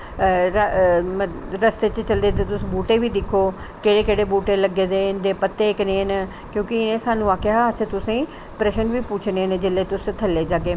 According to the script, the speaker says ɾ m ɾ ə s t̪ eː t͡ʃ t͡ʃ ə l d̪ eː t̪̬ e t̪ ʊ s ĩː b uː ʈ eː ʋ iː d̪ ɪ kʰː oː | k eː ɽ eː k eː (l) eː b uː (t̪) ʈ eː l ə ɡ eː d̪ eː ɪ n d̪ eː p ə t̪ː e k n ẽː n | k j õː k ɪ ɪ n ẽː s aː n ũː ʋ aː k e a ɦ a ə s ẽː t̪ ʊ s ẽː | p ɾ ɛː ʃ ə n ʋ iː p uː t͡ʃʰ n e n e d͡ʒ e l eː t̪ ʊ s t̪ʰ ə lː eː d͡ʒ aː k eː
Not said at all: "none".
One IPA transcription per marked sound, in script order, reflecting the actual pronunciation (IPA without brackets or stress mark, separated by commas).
ɽ, none